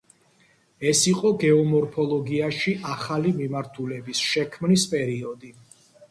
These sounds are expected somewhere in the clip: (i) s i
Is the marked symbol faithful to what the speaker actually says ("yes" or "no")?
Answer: no